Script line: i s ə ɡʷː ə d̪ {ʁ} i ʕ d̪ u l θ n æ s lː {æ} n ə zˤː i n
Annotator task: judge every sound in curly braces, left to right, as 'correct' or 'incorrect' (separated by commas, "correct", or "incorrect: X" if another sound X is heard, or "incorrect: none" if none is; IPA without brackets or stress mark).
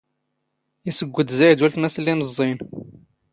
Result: incorrect: z, incorrect: i